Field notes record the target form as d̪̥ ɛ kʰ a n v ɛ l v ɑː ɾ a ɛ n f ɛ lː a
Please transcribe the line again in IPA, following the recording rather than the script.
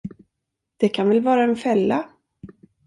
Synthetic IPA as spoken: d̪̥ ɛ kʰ a n v ɛ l v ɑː ɾ a ɛ n f ɛ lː a